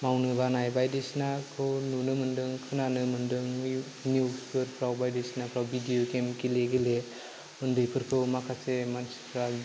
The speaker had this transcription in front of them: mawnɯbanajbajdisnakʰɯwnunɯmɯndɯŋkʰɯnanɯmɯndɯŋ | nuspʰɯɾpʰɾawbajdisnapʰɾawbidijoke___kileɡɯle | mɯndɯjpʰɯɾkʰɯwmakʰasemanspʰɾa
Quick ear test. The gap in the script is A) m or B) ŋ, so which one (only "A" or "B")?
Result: A